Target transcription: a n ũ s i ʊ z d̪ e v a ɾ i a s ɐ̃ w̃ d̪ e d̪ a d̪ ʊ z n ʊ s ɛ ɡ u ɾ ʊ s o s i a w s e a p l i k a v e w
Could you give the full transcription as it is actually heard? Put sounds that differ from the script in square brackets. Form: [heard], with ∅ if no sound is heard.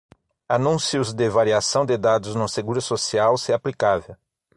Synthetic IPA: a n ũ s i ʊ z d̪ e v a ɾ i a s ɐ̃ w̃ d̪ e d̪ a d̪ ʊ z n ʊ s [e] ɡ u ɾ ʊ s o s i a w s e a p l i k a v e w